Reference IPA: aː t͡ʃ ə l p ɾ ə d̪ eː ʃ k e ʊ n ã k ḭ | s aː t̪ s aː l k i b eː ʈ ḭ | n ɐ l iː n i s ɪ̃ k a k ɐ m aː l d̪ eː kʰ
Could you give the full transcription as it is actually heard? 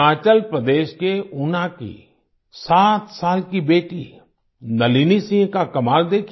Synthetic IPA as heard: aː t͡ʃ ə l p ɾ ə d̪ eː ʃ k e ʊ n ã k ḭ | s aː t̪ s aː l k i b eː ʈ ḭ | n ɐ l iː n i s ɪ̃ k a k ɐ m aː l d̪ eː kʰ